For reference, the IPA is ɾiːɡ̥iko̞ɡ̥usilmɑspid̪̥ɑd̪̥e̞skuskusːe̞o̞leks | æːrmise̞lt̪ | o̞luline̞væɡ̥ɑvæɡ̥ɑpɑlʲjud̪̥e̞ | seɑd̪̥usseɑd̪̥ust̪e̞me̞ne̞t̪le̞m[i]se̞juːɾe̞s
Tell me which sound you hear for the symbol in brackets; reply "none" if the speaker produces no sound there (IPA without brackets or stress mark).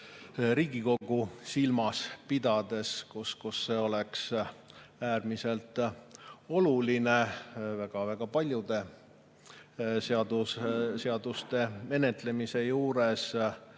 i